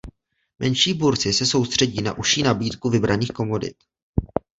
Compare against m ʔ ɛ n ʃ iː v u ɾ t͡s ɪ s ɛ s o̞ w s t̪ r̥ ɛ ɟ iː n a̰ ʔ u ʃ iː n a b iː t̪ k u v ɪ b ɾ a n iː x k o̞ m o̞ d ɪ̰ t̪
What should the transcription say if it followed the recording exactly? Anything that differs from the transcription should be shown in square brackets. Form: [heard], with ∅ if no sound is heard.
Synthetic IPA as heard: m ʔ ɛ n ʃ iː [b] u ɾ t͡s ɪ s ɛ s o̞ w s t̪ r̥ ɛ ɟ iː n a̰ ʔ u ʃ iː n a b iː t̪ k u v ɪ b ɾ a n iː x k o̞ m o̞ d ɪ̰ t̪